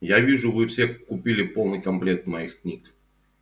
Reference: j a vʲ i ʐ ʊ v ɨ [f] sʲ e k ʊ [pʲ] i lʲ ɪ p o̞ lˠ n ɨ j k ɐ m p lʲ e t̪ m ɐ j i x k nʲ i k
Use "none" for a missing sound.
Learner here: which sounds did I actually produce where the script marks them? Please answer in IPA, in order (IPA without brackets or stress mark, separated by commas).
f, pʲ